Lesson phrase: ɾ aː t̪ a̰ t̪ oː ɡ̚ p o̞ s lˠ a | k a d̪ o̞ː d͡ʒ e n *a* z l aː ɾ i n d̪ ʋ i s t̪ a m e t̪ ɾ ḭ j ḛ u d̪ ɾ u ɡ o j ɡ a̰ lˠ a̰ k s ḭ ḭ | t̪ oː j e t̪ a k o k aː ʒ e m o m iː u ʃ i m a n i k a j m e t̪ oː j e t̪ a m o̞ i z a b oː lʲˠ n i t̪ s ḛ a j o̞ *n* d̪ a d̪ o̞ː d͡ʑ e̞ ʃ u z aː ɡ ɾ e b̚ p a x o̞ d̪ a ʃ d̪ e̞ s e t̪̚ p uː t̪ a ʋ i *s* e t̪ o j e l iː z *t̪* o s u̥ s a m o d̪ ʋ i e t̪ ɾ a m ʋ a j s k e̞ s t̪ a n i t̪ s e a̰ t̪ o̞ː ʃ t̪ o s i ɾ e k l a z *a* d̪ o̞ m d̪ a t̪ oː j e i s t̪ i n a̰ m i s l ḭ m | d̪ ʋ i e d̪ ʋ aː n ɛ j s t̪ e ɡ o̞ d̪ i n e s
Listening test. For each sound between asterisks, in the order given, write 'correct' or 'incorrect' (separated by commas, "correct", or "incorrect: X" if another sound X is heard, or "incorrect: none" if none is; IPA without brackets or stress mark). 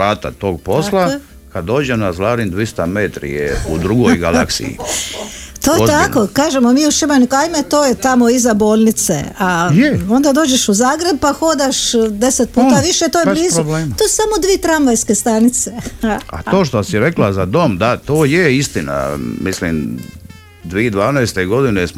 correct, correct, incorrect: ʃ, correct, correct